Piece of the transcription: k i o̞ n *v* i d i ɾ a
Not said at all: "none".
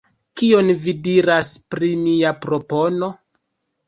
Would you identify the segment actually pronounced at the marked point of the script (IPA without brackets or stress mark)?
v